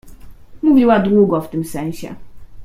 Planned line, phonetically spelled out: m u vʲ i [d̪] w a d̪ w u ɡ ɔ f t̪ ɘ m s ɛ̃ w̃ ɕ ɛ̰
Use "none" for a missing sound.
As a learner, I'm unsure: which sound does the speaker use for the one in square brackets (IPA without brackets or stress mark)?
none